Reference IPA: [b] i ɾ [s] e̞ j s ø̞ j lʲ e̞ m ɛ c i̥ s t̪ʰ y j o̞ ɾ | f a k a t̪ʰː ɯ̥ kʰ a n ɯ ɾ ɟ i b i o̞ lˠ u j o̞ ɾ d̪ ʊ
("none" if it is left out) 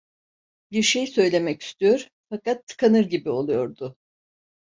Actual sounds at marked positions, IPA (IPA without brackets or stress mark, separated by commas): b, ʃ